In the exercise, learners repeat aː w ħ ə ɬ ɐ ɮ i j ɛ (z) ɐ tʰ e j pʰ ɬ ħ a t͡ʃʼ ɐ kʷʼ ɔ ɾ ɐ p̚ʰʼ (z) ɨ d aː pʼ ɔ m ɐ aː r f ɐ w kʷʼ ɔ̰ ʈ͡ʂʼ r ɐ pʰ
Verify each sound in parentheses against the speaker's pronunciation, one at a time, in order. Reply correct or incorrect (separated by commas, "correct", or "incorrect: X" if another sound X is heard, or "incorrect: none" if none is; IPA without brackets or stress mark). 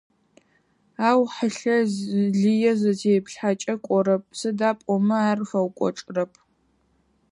correct, incorrect: s